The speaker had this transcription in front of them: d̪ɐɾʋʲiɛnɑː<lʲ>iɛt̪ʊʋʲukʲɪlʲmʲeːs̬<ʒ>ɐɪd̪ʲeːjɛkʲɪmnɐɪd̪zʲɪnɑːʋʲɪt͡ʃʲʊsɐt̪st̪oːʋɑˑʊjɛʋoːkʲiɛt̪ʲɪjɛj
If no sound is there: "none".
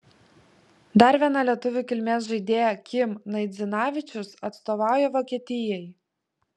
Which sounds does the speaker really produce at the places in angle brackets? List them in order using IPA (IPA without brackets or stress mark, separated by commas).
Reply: lʲ, ʒ